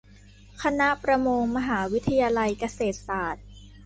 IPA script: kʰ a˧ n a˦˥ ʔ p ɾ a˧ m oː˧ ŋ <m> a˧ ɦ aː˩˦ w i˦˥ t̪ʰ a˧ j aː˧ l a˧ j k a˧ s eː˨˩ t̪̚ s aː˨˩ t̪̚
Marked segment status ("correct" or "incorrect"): correct